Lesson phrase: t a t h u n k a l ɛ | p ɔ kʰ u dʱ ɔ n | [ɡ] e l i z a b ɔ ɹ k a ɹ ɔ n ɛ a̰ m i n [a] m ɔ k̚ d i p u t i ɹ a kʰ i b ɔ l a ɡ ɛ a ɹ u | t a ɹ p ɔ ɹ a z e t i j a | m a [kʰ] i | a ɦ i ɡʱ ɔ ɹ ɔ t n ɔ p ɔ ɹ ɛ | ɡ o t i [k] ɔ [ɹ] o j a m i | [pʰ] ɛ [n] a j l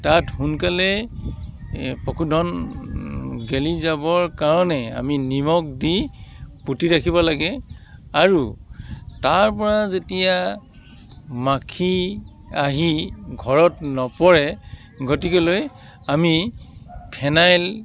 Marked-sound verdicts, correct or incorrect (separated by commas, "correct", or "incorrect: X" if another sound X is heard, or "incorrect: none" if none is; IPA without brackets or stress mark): correct, incorrect: i, correct, correct, incorrect: l, correct, correct